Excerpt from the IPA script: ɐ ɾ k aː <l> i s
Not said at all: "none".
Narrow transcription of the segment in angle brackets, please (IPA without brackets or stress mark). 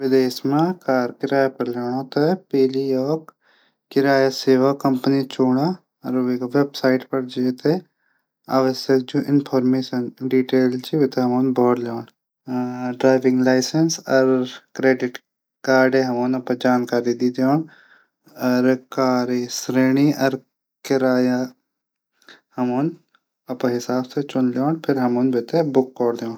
ɾ